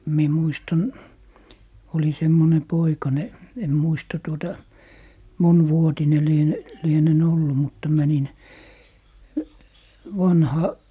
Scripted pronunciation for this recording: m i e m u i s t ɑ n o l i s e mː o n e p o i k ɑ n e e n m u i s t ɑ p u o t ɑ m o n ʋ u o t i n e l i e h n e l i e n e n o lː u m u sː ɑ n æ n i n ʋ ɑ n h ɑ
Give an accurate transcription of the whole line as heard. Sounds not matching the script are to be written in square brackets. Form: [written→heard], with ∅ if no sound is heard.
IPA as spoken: m i e m u i s t ɑ n o l i s e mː o n e p o i k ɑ n e e n m u i s t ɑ [p→t] u o t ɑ m o n ʋ u o t i n e l i e [h→∅] n e l i e n e n o lː u m u [sː→tː] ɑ [n→m] æ n i n ʋ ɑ n h ɑ

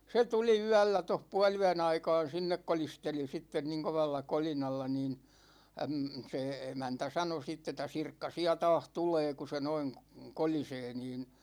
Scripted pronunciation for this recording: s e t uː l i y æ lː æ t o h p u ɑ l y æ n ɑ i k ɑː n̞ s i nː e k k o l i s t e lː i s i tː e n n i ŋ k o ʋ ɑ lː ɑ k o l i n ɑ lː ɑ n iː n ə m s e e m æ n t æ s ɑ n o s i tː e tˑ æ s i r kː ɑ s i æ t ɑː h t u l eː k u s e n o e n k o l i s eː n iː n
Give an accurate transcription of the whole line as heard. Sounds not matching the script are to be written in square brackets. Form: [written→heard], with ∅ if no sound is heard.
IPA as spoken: s e t [uː→u] l i y æ lː æ t o h p u ɑ l y æ n ɑ i k ɑː n̞ s i nː e k k o l i s t e [lː→l] i s i tː e n n i ŋ k o ʋ ɑ lː ɑ k o l i n ɑ lː ɑ n iː n ə m s e e m æ n t æ s ɑ n o s i tː e tˑ æ s i r kː ɑ s i æ t ɑː h t u l eː k u s e n o [e→i] n k o l i s eː n iː n

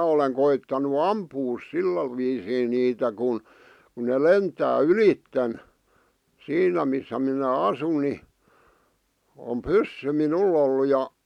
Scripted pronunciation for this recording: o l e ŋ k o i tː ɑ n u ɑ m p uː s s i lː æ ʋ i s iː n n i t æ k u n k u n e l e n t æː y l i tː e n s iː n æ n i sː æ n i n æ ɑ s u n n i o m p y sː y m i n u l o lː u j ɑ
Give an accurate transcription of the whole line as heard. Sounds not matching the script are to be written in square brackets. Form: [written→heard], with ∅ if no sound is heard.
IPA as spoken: o l e ŋ k o i tː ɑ n u ɑ m p uː s s i lː æ ʋ [i→iː] s iː n n [i→iː] t æ k u n k u n e l e n t æː y l i tː e n s iː n æ [n→m] i sː æ [n→m] i n æ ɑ s u n n i o m p y sː y m i n u l o lː u j ɑ

